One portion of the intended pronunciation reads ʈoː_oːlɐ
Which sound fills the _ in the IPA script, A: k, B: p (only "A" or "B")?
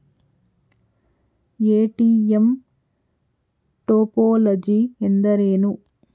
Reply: B